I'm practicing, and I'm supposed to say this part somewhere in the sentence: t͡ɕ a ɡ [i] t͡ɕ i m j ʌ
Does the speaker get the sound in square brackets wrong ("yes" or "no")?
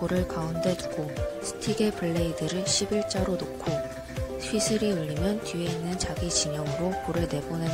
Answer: no